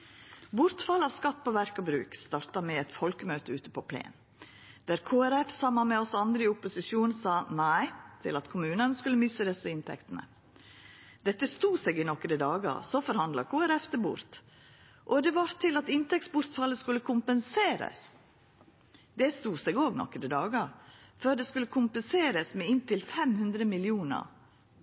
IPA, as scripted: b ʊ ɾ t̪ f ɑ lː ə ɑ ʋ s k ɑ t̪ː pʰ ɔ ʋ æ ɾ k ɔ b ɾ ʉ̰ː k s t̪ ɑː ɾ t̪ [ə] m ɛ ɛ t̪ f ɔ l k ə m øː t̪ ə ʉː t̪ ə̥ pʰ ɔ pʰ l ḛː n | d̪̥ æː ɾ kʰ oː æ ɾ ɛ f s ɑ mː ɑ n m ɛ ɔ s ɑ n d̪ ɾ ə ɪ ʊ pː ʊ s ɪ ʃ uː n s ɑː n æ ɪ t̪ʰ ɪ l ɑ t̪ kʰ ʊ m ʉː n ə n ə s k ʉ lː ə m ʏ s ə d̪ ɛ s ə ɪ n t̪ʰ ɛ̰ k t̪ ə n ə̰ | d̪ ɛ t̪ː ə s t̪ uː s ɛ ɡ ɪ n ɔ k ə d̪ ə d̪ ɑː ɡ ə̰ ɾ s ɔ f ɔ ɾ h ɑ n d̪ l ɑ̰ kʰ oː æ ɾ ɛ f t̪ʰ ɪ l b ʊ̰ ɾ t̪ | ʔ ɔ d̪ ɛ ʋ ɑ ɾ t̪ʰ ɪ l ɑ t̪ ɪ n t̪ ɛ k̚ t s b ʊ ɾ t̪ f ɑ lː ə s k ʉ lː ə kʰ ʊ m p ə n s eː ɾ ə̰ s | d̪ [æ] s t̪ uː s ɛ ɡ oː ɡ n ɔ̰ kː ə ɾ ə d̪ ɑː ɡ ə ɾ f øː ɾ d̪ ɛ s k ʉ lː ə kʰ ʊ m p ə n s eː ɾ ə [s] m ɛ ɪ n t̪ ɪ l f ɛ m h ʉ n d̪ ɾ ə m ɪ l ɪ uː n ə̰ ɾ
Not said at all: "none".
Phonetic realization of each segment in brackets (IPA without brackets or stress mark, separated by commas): ɑ, ɛ, s